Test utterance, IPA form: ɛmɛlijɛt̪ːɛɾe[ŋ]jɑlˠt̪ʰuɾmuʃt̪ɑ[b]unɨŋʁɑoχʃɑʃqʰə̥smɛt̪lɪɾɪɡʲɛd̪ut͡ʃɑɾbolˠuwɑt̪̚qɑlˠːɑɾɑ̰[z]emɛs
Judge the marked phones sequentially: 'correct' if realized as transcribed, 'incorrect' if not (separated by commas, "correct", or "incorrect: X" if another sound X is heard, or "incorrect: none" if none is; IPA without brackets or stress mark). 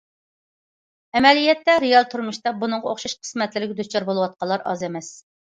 incorrect: none, correct, correct